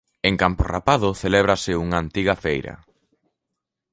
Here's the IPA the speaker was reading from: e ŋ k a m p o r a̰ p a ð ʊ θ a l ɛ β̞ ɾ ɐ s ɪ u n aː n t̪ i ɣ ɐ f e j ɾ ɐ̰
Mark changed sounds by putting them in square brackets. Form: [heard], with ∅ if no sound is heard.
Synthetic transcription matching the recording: e ŋ k a m p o r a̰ p a ð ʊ θ [e] l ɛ β̞ ɾ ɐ s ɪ u [ŋ] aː n t̪ i ɣ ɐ f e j ɾ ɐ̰